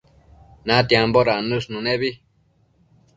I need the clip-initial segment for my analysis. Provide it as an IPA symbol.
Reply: n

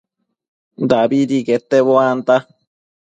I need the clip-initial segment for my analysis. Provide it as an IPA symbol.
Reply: d̪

